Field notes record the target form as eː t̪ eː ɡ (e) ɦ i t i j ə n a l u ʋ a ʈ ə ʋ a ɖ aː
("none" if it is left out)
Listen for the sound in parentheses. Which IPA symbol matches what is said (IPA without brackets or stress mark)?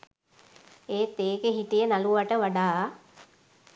e